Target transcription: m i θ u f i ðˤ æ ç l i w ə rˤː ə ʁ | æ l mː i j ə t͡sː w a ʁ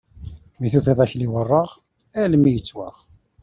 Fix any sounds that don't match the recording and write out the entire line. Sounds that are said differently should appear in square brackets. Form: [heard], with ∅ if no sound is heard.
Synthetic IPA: m i θ u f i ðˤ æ ç l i w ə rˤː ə ʁ | æ l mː i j ə t͡sː w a ʁ